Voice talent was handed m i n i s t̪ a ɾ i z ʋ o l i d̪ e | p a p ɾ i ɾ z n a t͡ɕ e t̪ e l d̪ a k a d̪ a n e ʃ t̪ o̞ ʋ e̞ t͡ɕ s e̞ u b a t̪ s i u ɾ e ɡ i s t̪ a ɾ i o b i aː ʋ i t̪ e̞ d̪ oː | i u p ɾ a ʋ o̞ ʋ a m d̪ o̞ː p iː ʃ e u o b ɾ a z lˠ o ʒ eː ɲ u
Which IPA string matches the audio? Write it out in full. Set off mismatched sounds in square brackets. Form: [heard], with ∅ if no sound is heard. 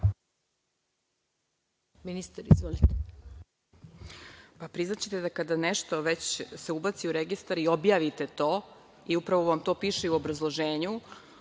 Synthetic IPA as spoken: m i n i s t̪ a ɾ i z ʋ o l i [t̪] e | p a p ɾ i [∅] z n a t͡ɕ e t̪ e [∅] d̪ a k a d̪ a n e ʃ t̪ o̞ ʋ e̞ t͡ɕ s e̞ u b a t̪ s i u ɾ e ɡ i s t̪ a ɾ i o b [j] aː ʋ i t̪ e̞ [t̪] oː | i u p ɾ a ʋ o̞ ʋ a m [t̪] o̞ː p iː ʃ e u o b ɾ a z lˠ o ʒ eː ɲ u